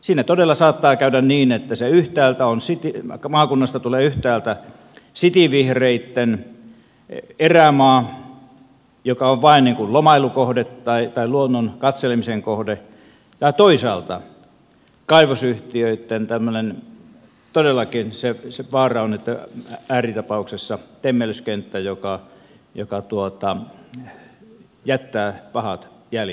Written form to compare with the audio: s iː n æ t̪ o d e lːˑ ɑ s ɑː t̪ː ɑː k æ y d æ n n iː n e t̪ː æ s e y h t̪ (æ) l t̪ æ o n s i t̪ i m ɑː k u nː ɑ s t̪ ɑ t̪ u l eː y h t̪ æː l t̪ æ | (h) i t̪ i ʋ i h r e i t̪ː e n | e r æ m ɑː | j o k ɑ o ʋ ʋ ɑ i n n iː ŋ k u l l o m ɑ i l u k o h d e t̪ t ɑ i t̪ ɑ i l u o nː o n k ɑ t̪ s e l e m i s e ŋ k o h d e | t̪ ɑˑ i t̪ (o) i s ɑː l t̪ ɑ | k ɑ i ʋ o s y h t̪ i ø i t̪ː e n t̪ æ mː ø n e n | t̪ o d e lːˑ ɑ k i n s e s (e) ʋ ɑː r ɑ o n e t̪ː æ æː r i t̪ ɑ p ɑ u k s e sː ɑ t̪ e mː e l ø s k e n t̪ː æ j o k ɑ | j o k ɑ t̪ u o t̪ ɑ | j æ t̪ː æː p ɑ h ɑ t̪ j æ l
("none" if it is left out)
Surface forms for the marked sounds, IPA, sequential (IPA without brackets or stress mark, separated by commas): æː, s, o, e